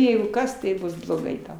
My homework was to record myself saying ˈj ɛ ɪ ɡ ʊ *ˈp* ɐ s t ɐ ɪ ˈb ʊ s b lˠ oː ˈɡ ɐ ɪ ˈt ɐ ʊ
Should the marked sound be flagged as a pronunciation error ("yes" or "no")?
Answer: yes